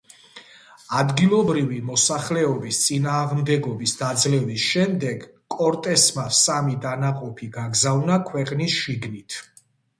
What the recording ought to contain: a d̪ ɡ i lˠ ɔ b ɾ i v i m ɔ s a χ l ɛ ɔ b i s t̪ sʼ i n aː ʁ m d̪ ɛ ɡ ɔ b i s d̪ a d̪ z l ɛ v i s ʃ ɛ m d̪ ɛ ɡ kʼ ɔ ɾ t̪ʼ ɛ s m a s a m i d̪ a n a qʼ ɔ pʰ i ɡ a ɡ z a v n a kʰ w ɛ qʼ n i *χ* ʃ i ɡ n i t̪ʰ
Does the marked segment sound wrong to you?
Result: yes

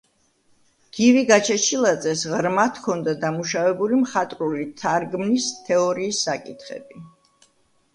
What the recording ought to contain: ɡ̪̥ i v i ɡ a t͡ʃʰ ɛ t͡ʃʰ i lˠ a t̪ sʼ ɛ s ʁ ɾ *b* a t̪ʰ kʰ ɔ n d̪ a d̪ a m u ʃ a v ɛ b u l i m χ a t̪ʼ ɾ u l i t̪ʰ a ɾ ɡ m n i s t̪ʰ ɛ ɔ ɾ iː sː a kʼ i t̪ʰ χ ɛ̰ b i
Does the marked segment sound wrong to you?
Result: yes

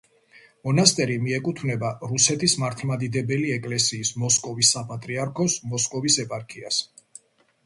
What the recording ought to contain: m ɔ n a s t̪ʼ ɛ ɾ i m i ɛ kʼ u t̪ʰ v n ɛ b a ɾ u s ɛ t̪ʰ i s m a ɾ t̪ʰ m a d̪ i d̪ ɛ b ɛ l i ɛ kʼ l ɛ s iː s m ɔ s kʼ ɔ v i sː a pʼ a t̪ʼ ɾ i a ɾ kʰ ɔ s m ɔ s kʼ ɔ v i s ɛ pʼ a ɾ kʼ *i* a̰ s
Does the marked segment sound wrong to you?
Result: no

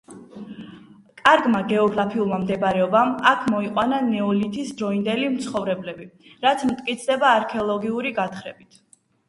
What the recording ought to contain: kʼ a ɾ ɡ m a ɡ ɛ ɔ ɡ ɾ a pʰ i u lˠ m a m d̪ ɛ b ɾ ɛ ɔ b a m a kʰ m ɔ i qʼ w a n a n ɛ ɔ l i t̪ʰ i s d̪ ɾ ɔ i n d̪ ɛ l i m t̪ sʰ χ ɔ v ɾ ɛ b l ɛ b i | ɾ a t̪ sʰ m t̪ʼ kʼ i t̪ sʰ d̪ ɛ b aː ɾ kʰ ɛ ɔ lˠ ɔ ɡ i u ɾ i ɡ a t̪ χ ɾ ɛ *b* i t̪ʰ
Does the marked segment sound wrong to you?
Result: no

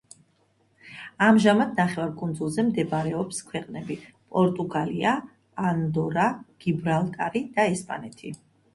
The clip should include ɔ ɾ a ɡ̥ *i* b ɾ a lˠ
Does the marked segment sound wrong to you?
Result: no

